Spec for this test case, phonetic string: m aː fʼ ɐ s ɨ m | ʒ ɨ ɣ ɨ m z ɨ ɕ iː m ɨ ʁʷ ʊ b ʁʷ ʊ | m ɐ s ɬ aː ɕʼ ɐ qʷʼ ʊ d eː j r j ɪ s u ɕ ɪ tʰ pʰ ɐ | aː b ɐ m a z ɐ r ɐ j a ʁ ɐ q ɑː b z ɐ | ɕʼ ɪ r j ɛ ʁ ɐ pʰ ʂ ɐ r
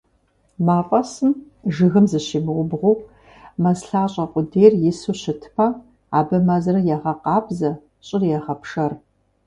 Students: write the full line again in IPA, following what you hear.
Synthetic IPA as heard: m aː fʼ ɐ s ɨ m | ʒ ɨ ɣ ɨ m z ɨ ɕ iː m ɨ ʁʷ ʊ b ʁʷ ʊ | m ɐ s ɬ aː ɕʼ ɐ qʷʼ ʊ d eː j r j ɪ s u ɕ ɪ tʰ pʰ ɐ | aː b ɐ m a z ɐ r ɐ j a ʁ ɐ q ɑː b z ɐ | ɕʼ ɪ r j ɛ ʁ ɐ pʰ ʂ ɐ r